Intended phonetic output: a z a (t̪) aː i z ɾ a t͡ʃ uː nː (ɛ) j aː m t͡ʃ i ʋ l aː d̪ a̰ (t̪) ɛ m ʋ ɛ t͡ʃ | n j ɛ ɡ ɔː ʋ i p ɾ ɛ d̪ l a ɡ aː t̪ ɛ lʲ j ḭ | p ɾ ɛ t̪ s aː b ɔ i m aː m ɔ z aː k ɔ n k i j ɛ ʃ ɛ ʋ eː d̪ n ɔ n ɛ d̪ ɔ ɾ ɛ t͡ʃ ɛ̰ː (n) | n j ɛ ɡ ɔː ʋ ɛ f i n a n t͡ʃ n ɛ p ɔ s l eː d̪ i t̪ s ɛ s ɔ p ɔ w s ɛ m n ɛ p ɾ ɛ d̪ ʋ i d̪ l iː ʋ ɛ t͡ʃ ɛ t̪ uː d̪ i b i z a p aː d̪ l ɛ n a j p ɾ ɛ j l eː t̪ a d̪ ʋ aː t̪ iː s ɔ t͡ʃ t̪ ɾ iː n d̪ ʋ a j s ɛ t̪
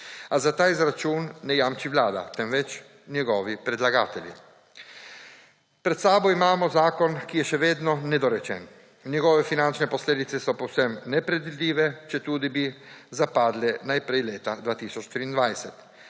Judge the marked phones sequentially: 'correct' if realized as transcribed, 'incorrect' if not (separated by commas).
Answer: correct, correct, correct, correct